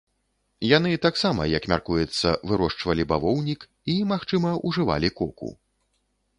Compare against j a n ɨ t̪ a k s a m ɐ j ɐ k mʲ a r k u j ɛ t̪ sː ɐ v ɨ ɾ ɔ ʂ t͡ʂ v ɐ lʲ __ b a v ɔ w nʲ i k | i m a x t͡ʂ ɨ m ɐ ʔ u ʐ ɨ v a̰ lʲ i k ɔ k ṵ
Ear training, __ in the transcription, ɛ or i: i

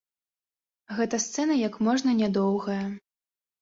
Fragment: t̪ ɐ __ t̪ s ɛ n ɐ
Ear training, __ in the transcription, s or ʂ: s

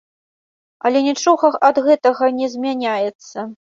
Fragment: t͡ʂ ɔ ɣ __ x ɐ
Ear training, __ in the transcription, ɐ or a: ɐ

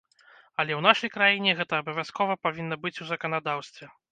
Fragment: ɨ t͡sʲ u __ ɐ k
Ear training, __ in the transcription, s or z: z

